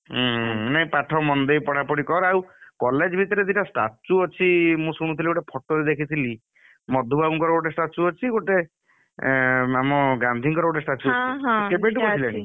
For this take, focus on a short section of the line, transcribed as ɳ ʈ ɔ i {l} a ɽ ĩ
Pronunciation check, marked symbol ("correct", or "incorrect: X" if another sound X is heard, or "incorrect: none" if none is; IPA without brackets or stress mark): correct